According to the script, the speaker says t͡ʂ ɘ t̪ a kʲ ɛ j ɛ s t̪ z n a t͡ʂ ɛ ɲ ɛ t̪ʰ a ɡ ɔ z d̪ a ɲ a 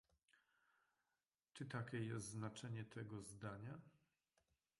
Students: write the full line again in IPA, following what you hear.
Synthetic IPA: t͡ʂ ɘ t̪ a kʲ ɛ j ɛ s t̪ z n a t͡ʂ ɛ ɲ ɛ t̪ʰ ɛ ɡ ɔ z d̪ a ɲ a